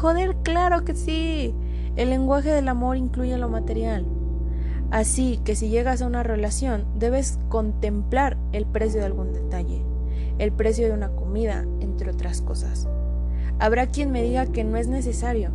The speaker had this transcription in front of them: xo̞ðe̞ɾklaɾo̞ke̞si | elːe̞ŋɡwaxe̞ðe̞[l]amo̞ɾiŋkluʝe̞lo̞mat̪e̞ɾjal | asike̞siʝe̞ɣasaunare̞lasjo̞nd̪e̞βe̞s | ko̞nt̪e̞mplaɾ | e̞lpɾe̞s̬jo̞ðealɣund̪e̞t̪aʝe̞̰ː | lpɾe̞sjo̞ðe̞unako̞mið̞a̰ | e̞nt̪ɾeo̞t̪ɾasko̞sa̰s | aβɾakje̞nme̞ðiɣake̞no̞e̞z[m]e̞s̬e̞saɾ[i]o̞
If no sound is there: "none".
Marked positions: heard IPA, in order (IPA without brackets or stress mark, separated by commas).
l, n, j